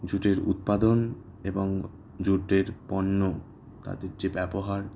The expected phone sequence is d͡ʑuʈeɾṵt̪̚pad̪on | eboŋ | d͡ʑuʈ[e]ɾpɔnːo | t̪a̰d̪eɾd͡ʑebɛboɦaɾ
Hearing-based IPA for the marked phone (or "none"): e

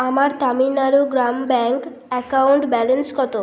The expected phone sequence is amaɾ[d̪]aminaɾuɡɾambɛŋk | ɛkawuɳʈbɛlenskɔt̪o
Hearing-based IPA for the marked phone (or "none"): t̪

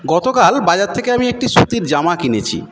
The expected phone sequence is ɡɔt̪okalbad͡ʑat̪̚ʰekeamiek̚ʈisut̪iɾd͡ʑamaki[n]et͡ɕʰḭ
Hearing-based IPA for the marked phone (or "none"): n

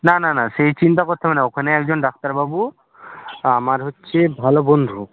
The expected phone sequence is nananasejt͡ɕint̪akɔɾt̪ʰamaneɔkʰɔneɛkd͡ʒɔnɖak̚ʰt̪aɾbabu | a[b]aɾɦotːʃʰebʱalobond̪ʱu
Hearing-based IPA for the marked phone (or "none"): m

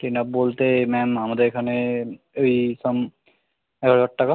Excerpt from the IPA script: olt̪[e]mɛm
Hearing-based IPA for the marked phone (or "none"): e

